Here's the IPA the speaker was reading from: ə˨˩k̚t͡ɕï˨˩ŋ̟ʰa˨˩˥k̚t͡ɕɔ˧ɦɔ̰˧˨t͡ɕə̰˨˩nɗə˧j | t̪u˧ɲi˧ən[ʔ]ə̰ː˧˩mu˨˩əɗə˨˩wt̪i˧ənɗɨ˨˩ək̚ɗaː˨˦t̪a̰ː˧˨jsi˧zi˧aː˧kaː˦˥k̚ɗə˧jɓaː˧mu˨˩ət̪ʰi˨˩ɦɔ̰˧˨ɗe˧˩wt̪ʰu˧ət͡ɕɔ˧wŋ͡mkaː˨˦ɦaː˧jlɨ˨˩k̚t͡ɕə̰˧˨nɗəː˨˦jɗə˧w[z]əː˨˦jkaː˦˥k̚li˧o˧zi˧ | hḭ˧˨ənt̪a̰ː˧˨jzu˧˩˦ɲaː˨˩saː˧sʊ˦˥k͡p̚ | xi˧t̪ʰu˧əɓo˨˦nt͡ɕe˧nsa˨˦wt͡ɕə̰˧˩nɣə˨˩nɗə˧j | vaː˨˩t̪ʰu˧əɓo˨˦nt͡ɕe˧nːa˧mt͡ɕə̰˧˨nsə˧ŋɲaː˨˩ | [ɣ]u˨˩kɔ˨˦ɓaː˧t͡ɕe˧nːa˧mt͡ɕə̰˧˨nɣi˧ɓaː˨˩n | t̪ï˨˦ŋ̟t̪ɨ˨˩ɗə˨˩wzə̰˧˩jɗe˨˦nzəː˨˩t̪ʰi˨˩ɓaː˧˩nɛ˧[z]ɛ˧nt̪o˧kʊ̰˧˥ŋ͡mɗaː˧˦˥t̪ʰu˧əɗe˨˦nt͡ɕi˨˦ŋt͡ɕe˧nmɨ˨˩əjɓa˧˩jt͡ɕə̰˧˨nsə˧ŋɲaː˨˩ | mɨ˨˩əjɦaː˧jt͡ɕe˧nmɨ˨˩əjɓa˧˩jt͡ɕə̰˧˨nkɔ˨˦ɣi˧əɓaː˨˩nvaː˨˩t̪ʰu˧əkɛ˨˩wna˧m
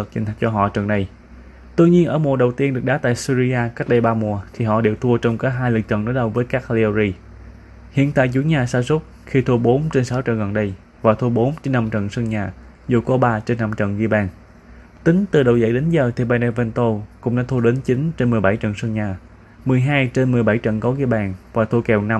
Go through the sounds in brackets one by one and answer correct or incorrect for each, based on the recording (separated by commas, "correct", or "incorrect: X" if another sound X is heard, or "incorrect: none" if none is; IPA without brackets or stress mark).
correct, incorrect: v, incorrect: z, incorrect: v